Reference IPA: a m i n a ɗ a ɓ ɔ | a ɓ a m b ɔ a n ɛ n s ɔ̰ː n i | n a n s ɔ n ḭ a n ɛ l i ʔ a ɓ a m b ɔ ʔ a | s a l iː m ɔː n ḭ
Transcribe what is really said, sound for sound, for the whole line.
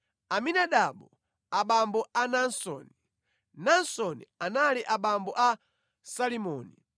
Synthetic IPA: a m i n a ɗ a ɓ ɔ | a ɓ a m b ɔ a n a n s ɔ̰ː n i | n a n s ɔ n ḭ a n a l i ʔ a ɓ a m b ɔ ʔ a | s a l i m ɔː n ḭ